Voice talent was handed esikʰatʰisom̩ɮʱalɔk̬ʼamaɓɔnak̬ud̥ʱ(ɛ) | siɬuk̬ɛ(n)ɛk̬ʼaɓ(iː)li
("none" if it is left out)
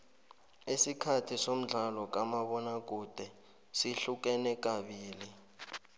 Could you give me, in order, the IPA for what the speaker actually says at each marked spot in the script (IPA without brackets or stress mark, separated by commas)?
ɛ, n, iː